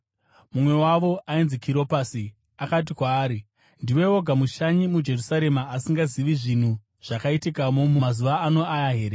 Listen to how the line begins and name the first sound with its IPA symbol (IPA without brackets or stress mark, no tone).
m